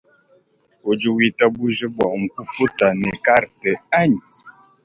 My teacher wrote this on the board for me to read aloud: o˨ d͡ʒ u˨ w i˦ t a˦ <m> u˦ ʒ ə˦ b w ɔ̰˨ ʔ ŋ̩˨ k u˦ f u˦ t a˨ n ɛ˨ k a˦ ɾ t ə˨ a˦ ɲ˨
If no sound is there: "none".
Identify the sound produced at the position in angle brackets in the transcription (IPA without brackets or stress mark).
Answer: b